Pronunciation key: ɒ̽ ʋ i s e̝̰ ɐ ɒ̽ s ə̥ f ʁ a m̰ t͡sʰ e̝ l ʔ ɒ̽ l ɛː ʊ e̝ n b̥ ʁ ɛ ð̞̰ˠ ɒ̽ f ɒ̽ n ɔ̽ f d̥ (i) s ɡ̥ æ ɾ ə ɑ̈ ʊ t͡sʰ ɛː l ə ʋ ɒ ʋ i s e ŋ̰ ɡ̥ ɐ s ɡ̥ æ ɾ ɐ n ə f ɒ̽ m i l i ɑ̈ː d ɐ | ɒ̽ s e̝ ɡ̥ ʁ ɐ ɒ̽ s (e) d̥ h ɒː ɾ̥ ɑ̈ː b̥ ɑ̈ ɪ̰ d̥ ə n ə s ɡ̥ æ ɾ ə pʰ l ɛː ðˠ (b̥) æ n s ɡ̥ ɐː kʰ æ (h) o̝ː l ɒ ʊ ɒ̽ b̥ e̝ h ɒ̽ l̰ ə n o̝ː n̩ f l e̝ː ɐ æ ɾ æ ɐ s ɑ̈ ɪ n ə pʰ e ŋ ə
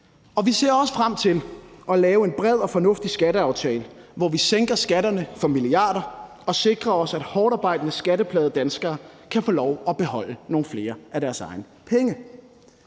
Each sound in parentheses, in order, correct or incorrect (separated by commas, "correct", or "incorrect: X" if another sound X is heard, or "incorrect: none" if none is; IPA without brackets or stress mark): correct, incorrect: æ, incorrect: d̥, incorrect: f